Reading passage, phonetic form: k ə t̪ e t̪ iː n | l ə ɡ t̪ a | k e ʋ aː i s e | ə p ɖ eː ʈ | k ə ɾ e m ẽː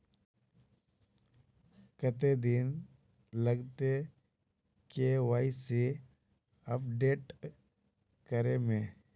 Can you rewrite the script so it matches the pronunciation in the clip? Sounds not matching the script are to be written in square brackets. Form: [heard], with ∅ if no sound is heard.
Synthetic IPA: k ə t̪ e [d̪] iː n | l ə ɡ t̪ [e] | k e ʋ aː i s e | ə p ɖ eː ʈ | k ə ɾ e m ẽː